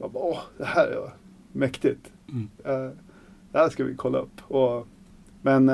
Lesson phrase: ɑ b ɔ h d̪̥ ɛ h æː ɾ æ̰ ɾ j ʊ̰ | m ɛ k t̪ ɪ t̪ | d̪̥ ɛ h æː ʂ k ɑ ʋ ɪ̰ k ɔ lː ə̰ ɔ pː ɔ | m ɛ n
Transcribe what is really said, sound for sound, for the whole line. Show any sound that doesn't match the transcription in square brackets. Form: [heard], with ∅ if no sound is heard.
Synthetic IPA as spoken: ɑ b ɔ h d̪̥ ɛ h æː ɾ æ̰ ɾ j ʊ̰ | m ɛ k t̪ ɪ t̪ | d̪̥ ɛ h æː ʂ k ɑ ʋ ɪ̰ [kʰ] ɔ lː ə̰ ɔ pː ɔ | m ɛ n